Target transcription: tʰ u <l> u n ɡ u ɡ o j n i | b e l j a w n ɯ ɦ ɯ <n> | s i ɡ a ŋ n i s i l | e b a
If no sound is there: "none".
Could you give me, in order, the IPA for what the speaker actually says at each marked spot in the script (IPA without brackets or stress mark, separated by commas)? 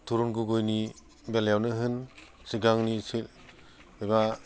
ɾ, n